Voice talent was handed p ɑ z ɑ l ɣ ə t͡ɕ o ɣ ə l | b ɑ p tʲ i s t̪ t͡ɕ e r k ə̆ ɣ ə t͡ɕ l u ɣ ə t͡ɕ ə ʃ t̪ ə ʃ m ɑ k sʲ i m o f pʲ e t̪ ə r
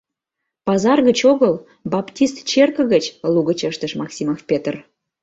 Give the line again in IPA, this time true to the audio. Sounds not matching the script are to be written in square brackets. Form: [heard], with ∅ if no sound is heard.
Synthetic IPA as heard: p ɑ z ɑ [r] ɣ ə t͡ɕ o ɣ ə l | b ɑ p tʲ i s t̪ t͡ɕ e r k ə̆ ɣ ə t͡ɕ l u ɣ ə t͡ɕ ə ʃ t̪ ə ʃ m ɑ k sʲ i m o f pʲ e t̪ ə r